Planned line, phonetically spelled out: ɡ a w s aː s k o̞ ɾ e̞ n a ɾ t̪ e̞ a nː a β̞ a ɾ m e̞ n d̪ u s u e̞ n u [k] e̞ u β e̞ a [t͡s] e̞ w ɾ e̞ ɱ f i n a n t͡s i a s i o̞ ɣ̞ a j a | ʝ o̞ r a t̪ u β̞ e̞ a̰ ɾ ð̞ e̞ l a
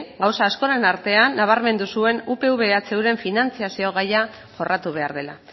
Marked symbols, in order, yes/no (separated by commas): no, yes